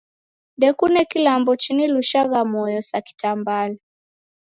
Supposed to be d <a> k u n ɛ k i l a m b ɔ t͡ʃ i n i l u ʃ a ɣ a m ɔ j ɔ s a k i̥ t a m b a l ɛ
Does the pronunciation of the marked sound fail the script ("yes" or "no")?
yes